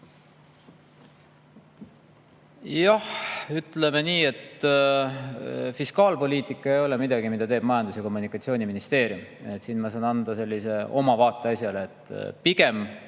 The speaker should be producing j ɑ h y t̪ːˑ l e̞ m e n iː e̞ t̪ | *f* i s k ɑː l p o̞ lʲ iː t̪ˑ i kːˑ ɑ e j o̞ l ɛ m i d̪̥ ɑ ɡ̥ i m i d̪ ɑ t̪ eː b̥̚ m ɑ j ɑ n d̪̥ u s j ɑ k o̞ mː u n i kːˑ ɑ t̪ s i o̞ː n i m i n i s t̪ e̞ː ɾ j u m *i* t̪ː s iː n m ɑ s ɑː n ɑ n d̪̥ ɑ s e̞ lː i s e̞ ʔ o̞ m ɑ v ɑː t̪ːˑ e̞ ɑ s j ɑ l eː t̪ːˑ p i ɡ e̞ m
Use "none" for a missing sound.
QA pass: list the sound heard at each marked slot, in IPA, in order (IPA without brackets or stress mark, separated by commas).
f, e